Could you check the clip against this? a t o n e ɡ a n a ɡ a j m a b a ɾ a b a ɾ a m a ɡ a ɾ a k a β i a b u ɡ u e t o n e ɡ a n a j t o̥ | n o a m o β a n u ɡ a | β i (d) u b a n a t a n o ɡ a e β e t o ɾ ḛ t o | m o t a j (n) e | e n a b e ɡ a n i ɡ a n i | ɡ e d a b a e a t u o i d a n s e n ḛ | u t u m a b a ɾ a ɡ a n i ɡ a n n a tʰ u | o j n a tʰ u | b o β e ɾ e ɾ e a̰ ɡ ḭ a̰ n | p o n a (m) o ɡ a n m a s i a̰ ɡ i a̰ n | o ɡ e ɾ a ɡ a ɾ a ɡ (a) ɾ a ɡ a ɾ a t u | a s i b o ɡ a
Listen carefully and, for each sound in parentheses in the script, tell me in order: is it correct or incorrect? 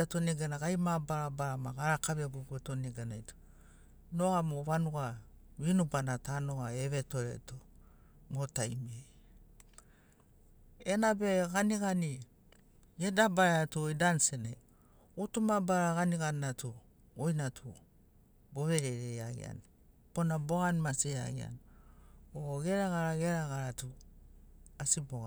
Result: incorrect, incorrect, incorrect, incorrect

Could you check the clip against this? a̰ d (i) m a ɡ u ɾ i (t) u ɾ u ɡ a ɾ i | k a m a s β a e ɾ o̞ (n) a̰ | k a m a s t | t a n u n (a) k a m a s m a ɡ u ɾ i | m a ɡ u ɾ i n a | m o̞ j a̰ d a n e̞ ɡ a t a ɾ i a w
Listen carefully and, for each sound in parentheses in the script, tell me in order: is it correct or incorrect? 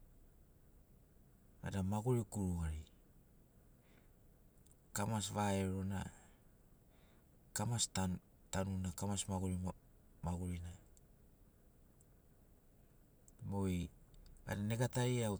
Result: incorrect, incorrect, correct, correct

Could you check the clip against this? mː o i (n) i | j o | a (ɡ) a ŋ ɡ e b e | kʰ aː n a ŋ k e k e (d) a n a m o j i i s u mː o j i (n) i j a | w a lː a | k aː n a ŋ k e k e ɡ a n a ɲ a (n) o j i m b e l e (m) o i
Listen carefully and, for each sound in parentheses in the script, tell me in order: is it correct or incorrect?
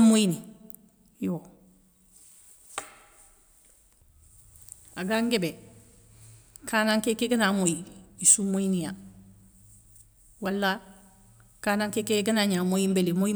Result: correct, correct, incorrect, correct, incorrect, correct

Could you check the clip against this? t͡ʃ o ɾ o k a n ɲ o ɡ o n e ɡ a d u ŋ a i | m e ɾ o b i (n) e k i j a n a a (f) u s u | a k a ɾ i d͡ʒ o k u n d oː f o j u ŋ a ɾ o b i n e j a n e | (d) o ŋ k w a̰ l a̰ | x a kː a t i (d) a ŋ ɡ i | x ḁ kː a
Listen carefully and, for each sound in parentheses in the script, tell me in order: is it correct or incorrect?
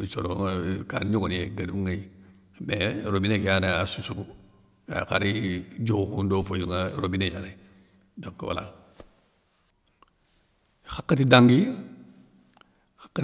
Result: correct, incorrect, correct, correct

